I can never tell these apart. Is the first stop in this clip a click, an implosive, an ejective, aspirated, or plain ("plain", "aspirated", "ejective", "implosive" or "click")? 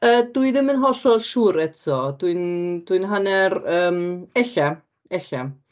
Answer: plain